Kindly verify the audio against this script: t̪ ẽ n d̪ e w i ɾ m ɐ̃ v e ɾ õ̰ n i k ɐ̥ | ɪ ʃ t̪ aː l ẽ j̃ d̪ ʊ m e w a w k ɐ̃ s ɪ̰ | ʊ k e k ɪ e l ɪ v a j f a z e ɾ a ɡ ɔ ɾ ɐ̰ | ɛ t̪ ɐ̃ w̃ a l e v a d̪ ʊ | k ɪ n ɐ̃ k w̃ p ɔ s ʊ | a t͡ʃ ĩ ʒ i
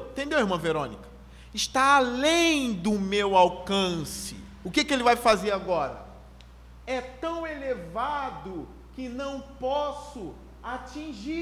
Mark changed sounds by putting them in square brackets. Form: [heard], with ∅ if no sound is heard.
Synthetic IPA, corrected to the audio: t̪ ẽ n d̪ e w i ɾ m ɐ̃ v e ɾ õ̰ n i k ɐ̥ | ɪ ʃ t̪ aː l ẽ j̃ d̪ ʊ m e w a w k ɐ̃ s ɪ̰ | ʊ k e k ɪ e l ɪ v a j f a z e ɾ a ɡ ɔ ɾ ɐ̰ | ɛ t̪ ɐ̃ w̃ [e] l e v a d̪ ʊ | k ɪ n ɐ̃ [∅] w̃ p ɔ s ʊ | a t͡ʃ ĩ ʒ i